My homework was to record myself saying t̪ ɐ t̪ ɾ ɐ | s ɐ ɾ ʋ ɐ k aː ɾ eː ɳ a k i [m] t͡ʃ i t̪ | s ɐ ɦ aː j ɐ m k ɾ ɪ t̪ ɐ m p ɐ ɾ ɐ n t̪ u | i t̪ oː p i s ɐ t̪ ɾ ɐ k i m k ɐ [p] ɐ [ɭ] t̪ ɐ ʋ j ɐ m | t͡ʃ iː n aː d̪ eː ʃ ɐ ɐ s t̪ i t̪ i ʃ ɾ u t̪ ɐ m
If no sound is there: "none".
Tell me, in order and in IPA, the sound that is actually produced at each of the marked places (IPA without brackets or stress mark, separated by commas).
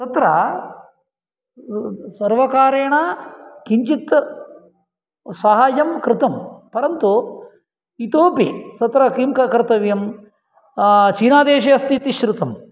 ɲ, k, ɾ